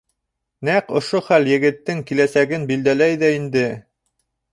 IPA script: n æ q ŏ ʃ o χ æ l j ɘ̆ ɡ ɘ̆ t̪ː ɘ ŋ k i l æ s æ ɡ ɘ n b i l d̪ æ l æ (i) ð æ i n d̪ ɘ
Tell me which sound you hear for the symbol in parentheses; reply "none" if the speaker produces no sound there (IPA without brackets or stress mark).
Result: j